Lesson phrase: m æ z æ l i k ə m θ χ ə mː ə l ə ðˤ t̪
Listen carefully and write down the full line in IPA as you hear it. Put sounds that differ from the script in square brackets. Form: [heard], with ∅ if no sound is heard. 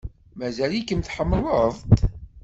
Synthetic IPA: m æ z æ l i k ə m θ [ħ] ə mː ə l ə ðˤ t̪

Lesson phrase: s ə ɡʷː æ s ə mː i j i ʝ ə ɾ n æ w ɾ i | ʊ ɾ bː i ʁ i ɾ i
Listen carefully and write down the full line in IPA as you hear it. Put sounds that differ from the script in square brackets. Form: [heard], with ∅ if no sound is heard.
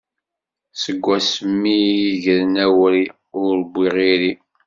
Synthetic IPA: s ə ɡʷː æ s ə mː i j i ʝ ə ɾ n æ w ɾ i | ʊ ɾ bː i ʁ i ɾ i

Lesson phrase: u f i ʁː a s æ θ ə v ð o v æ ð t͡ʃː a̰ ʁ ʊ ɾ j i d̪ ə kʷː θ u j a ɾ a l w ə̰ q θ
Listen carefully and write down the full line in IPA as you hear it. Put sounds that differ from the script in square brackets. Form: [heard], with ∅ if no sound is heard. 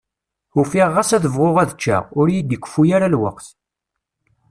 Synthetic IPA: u f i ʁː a s æ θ ə v [ʁ] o [ʁ] æ ð t͡ʃː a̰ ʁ ʊ ɾ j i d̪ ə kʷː [f] u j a ɾ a l w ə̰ q θ

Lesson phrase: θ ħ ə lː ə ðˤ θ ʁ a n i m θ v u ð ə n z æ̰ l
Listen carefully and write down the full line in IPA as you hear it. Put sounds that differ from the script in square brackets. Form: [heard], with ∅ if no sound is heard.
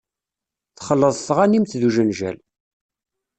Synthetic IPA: θ [χ] ə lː ə ðˤ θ ʁ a n i m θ [ð] u [ʒ] ə n [ʒ] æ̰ l

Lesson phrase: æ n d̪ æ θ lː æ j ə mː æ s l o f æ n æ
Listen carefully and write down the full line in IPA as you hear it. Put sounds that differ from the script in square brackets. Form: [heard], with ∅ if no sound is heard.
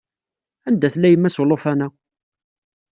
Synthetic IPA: æ n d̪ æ θ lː æ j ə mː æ s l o f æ n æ

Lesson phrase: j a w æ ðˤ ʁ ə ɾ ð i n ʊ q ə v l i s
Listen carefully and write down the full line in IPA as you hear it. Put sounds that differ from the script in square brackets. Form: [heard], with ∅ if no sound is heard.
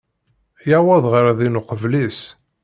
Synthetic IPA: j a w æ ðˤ ʁ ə ɾ ð i n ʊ q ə v l i s

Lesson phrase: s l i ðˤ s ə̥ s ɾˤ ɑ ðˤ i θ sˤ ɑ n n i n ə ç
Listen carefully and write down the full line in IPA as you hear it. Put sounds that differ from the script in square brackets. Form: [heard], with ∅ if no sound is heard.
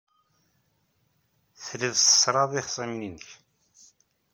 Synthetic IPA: [θ] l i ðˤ s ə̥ s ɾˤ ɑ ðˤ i [χ] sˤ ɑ [m] n i n ə ç

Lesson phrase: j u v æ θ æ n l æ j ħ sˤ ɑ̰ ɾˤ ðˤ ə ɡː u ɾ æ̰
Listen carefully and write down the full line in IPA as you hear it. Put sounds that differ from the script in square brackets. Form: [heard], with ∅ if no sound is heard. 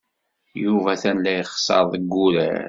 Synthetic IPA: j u v æ θ æ n l æ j [χ] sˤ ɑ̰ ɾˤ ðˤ ə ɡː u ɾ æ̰

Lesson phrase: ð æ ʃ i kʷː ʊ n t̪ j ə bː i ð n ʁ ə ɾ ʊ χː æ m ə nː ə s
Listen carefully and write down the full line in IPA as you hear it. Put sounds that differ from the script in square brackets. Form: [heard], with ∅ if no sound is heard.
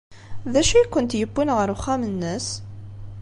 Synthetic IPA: ð æ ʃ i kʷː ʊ n t̪ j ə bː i [∅] n ʁ ə ɾ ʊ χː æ m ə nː ə s

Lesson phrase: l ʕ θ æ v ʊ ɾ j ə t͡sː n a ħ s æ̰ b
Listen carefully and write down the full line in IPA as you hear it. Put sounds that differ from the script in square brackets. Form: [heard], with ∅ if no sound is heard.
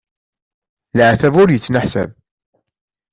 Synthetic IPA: l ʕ θ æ v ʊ ɾ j ə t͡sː n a ħ s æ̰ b

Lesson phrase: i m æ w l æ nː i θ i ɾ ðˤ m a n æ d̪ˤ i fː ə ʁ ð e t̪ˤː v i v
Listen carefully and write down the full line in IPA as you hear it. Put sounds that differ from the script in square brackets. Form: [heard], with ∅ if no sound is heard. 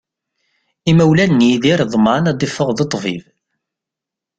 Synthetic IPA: i m æ w l æ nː i [ð] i ɾ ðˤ m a n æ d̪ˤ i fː ə ʁ ð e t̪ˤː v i v

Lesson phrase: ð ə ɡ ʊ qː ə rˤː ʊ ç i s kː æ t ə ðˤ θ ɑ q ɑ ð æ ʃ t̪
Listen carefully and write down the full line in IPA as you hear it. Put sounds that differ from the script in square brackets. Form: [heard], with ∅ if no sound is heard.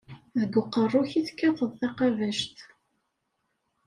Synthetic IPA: ð ə ɡ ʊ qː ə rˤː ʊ ç i [θ] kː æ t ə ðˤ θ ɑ q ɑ [v] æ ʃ t̪

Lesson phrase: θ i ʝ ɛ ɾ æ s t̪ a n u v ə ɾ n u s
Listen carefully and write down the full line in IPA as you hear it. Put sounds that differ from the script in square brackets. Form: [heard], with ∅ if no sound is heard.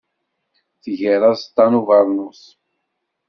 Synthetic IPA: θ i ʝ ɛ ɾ [a] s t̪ a n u v [a] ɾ n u s

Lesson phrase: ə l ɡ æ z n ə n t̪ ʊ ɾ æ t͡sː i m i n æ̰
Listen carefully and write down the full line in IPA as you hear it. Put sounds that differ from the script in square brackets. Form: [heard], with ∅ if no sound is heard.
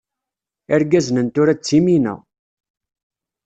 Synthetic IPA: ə [ɾ] ɡ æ z n ə n t̪ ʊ ɾ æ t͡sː i m i n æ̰

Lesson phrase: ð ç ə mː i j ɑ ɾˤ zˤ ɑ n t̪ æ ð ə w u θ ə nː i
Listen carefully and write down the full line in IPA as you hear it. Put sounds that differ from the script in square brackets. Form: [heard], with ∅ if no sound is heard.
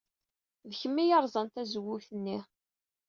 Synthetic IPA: ð ç ə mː i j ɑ ɾˤ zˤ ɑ n t̪ æ [z] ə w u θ ə nː i

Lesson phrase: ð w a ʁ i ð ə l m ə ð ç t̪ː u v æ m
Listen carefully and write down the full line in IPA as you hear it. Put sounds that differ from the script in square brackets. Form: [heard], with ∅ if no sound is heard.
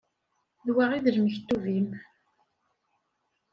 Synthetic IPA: ð w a ʁ i ð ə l m ə [∅] ç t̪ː u v [i] m

